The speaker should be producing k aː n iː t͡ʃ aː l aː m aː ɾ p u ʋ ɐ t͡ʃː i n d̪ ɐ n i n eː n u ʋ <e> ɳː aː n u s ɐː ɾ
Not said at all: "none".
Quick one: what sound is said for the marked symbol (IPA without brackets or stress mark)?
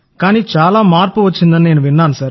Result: i